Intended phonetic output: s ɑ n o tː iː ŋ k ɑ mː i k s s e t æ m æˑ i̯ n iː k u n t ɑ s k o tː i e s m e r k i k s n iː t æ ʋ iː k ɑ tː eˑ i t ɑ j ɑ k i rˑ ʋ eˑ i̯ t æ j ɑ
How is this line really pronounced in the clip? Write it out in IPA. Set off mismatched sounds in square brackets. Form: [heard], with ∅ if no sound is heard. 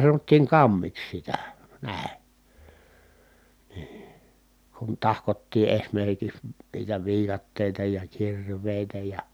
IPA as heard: s ɑ n o tː iː ŋ k ɑ mː i k s s [i] t æ [n] æˑ i̯ n iː k u n t ɑ [h] k o tː [iː] e s m e r k i k s n iː t æ ʋ iː k ɑ tː eˑ i t ɑ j ɑ k i rˑ ʋ eˑ i̯ t æ j ɑ